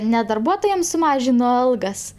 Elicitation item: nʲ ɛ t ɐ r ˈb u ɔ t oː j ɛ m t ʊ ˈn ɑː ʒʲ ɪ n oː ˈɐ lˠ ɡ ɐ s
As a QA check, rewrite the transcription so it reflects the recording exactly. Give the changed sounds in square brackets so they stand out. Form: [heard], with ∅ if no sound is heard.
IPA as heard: nʲ ɛ [d] ɐ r ˈb u ɔ t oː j ɛ m [s] ʊ [ˈm] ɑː ʒʲ ɪ n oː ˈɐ lˠ ɡ ɐ s